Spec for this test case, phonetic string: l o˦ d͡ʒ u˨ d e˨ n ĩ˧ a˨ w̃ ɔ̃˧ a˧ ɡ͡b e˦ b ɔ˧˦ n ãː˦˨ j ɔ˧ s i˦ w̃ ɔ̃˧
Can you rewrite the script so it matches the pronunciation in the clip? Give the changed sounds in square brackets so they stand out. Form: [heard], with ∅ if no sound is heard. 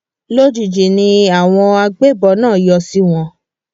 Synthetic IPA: l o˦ d͡ʒ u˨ [d͡ʒ] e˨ n ĩ˧ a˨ w̃ ɔ̃˧ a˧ ɡ͡b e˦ b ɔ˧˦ n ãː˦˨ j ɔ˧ s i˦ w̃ ɔ̃˧